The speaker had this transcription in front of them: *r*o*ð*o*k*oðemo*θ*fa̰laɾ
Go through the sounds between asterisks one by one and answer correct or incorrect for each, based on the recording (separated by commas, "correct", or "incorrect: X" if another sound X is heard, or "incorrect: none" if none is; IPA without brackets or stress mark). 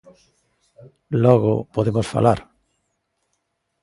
incorrect: l, incorrect: ɣ, incorrect: p, incorrect: s